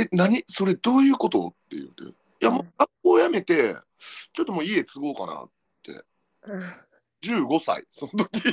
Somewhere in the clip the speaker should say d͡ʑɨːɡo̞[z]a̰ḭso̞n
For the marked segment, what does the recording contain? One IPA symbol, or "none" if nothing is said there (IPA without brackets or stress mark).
s